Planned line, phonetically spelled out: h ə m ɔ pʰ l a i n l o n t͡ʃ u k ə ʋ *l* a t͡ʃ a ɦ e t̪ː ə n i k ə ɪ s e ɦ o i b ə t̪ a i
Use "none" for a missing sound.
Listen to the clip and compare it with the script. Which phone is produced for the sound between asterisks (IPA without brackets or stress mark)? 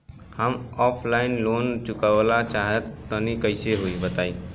l